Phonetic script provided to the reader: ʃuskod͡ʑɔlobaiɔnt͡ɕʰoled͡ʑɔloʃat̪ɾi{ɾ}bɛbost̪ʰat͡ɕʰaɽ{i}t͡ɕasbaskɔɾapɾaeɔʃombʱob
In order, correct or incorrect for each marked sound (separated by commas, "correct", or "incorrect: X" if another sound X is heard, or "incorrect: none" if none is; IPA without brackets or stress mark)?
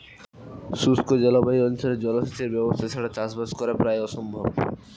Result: correct, incorrect: a